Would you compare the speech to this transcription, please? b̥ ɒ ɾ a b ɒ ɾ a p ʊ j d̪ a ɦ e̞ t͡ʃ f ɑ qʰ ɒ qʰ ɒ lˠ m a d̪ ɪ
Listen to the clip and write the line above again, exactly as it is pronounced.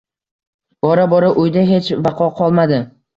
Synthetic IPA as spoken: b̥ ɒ ɾ a b ɒ ɾ a ʔ ʊ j d̪ a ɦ e̞ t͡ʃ v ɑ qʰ ɒ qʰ ɒ lˠ m a d̪ ɪ